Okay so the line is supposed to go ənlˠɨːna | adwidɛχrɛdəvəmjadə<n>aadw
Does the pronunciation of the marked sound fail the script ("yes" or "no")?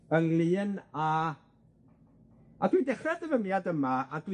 yes